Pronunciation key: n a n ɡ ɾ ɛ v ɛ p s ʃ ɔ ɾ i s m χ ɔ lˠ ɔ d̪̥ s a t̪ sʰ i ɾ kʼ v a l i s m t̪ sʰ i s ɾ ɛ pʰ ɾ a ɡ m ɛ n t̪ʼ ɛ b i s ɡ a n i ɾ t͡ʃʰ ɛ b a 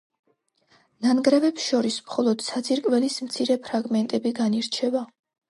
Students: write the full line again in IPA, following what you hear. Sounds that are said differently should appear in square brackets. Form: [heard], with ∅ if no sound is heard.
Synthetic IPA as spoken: n a n ɡ ɾ ɛ v ɛ p s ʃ ɔ ɾ i s m χ ɔ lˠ ɔ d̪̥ s a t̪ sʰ i ɾ kʼ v [ɛ] l i s m t̪ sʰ i [∅] ɾ ɛ pʰ ɾ a ɡ m ɛ n t̪ʼ ɛ b i [∅] ɡ a n i ɾ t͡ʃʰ ɛ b a

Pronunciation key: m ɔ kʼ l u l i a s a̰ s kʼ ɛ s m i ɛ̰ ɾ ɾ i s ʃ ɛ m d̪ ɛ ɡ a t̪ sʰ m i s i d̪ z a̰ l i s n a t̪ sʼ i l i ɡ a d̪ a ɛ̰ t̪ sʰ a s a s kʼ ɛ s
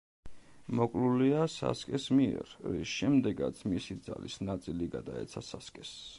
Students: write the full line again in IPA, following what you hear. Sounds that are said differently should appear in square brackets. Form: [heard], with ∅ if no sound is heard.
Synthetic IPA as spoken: m ɔ kʼ l u l i a s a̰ s kʼ ɛ s m i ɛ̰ ɾ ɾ i s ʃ ɛ m d̪ ɛ ɡ a t̪ sʰ m i s i d̪ z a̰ l i s n a t̪ sʼ i l i ɡ a d̪ a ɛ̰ t̪ sʰ a s a s kʼ ɛ s

